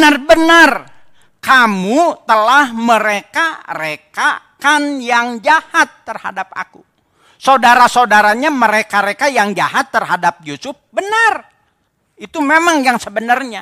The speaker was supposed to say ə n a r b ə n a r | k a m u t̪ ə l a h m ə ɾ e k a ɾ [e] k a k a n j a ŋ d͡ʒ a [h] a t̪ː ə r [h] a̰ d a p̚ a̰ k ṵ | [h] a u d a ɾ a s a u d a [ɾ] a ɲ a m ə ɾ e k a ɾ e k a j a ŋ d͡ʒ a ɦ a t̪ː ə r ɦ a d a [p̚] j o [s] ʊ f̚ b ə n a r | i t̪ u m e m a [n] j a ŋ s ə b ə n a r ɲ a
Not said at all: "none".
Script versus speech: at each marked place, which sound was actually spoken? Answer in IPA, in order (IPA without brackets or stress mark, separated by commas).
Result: e, h, h, s, ɾ, p̚, s, ŋ